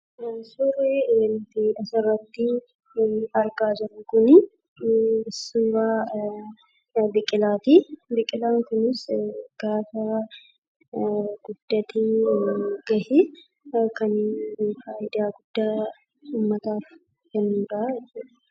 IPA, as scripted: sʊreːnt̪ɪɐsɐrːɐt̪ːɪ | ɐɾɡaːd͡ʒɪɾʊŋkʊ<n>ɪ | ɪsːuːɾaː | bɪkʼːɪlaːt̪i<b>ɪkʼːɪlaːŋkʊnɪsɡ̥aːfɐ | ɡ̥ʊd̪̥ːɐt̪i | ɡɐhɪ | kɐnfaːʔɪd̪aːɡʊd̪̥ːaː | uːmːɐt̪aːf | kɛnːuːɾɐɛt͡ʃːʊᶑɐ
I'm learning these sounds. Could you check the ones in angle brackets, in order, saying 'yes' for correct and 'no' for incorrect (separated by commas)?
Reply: yes, yes